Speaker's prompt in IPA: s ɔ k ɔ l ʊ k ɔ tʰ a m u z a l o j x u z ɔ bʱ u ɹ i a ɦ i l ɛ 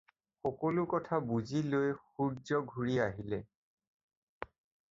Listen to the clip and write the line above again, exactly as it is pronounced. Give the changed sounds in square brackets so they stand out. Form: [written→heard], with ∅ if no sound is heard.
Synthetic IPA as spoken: [s→x] ɔ k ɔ l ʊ k ɔ tʰ a [m→b] u z [a→i] l o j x u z ɔ [bʱ→ɡʱ] u ɹ i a ɦ i l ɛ